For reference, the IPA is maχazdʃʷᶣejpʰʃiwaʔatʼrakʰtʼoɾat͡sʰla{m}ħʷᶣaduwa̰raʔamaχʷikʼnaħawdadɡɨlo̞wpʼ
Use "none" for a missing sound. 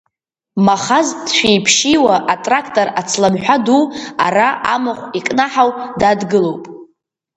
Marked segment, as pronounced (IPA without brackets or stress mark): m